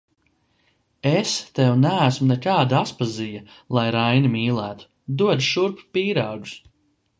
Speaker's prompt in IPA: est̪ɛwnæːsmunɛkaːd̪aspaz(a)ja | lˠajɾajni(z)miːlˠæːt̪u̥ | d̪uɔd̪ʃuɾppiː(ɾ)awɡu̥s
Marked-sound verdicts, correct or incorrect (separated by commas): incorrect, incorrect, correct